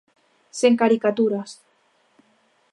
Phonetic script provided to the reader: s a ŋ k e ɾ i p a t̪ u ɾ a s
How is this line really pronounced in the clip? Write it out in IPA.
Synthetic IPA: s e ŋ k a ɾ i k a t̪ u ɾ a s

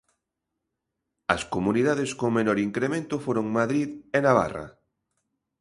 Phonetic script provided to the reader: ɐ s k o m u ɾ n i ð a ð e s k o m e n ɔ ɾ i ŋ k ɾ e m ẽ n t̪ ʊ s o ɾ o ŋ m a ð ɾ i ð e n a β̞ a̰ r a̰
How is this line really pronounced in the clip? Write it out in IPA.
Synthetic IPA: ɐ s k o m u n i ð a ð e s k o m e n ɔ ɾ i ŋ k ɾ e m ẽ n t̪ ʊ f o ɾ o ŋ m a ð ɾ i ð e n a β̞ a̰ r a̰

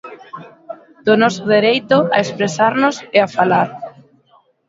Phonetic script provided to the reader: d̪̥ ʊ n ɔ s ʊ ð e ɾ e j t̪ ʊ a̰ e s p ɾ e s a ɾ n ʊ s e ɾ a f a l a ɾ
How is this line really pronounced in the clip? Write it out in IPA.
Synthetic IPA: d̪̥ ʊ n ɔ s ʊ ð e ɾ e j t̪ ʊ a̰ e s p ɾ e s a ɾ n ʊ s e a f a l a ɾ

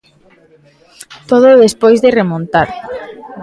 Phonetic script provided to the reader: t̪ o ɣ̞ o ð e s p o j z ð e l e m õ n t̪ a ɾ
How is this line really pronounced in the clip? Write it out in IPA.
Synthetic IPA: t̪ o ð̞ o ð e s p o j z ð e r e m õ n t̪ a ɾ

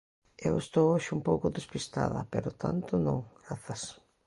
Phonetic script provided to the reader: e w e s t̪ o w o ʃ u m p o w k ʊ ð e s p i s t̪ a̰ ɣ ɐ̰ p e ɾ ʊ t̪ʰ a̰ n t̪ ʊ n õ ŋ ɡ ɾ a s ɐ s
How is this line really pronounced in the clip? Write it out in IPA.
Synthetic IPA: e w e s t̪ o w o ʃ u m p o w k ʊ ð e s p i s t̪ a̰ ð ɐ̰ p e ɾ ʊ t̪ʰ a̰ n t̪ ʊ n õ ŋ ɡ ɾ a θ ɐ s

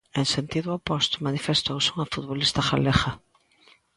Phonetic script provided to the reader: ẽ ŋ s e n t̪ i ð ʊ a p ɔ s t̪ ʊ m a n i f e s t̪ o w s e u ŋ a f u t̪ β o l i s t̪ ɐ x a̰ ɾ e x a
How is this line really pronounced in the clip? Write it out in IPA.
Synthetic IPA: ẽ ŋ s e n t̪ i ð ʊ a p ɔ s t̪ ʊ m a n i f e s t̪ o w s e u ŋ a f u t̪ β o l i s t̪ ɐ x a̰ l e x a

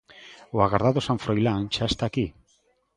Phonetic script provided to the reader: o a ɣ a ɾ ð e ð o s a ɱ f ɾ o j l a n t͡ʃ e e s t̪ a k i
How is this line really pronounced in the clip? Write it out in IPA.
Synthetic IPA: o a ɣ a ɾ ð a ð o s a ɱ f ɾ o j l a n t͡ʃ a e s t̪ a k i

